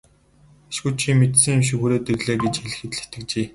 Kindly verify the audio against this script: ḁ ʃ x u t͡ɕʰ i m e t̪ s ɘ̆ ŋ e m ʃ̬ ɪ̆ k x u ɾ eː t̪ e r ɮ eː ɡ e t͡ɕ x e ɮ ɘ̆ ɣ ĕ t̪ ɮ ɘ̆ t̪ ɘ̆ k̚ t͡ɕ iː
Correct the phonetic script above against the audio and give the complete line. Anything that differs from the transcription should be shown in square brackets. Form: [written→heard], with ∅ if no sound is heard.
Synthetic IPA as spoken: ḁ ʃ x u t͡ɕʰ i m e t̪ s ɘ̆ ŋ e m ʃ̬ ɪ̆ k x u ɾ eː t̪ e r ɮ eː ɡ e t͡ɕ x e ɮ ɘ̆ [ɣ→x] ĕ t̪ ɮ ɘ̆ t̪ ɘ̆ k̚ t͡ɕ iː